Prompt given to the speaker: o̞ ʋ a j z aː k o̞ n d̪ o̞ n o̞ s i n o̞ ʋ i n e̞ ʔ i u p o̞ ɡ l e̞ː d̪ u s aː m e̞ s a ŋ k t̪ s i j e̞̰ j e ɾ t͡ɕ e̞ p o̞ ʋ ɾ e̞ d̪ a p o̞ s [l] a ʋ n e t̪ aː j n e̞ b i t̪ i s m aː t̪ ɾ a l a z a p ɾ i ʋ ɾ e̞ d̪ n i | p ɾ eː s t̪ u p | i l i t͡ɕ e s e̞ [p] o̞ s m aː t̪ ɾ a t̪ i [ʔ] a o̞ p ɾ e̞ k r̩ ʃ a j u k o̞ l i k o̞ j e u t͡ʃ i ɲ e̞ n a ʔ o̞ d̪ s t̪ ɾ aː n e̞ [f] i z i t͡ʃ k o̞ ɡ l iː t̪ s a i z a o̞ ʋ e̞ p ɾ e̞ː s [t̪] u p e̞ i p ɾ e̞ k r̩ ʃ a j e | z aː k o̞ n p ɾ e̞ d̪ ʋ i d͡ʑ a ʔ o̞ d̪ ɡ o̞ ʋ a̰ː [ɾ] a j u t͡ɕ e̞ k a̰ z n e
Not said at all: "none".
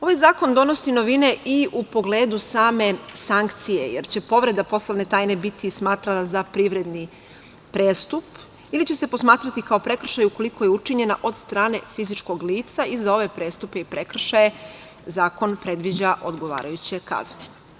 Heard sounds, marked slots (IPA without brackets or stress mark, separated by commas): l, p, k, f, t̪, ɾ